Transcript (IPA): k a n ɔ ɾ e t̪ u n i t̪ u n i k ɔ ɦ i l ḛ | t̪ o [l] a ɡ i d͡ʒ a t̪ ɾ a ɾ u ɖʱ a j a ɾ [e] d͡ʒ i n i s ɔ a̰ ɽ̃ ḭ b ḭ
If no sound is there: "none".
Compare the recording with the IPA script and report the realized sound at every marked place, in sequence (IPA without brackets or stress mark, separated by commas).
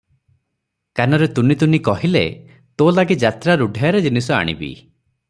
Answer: l, e